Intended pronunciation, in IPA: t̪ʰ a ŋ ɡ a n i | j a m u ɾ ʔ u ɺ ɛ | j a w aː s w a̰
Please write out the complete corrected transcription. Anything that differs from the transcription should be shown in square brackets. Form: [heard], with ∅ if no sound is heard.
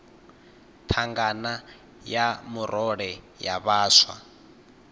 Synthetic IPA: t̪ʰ a ŋ ɡ a n [a] | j a m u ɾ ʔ [ɔ] ɺ ɛ | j a [β] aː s w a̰